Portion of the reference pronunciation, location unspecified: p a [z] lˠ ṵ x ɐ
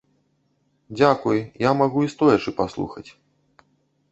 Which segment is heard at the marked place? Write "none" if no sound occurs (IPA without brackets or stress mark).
s